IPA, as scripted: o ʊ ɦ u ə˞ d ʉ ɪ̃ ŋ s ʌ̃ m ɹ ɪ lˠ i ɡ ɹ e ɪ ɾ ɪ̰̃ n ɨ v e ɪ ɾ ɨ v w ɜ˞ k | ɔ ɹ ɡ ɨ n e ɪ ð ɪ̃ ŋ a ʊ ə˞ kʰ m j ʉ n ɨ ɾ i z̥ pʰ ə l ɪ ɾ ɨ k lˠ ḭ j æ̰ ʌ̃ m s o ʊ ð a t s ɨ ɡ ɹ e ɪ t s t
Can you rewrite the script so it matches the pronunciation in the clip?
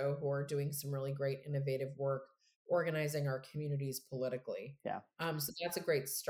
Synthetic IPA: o ʊ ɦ u ə˞ d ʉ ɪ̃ ŋ s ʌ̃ m ɹ ɪ lˠ i ɡ ɹ e ɪ ɾ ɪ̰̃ n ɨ v e ɪ ɾ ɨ v w ɜ˞ k | ɔ ɹ ɡ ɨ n a ɪ z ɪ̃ ŋ a ʊ ə˞ kʰ m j ʉ n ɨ ɾ i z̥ pʰ ə l ɪ ɾ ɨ k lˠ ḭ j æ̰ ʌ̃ m s o ʊ ð æ t s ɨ ɡ ɹ e ɪ t s t